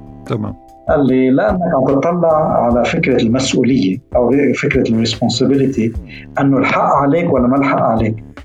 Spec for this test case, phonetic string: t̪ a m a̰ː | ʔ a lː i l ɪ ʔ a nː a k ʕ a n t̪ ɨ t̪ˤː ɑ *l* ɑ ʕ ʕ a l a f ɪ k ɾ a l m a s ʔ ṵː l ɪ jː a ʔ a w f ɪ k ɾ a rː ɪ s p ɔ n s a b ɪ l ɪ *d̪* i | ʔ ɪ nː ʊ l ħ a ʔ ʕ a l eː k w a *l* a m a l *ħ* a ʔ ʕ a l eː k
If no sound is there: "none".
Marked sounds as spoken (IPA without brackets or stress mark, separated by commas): lː, t̪, lː, ħ